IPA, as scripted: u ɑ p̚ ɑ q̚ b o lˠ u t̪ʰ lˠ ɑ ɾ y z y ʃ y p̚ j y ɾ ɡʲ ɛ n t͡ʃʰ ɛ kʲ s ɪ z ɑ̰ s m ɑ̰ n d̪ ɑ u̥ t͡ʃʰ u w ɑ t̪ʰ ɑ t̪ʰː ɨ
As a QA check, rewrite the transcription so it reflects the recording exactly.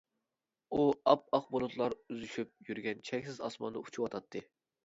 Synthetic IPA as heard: u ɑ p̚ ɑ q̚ b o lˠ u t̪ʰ lˠ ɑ ɾ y z y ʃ y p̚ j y ɾ ɡʲ ɛ n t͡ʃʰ ɛ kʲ s ɪ z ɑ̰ s m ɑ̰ n d̪ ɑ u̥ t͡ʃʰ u w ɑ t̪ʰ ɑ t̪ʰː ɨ